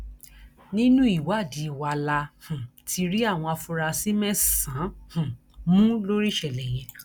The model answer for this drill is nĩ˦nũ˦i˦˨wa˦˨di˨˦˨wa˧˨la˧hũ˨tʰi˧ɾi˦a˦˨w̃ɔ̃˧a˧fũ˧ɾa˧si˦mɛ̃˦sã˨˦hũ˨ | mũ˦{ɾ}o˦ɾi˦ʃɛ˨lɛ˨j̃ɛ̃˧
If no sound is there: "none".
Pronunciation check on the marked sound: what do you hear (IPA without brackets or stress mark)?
l